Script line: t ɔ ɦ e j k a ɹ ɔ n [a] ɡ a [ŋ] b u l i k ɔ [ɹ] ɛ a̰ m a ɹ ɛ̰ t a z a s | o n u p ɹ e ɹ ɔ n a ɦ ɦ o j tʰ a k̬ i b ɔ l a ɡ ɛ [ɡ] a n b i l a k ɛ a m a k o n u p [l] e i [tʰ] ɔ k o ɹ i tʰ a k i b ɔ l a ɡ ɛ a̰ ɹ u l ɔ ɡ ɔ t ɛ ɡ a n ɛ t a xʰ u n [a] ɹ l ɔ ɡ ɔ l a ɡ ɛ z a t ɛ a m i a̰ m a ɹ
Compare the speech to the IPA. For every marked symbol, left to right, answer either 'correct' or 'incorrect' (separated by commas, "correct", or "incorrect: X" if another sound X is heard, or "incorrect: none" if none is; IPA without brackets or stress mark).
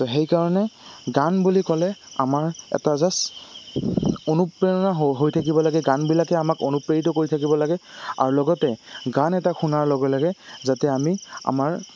incorrect: ɛ, incorrect: n, incorrect: l, correct, incorrect: ɹ, incorrect: t, correct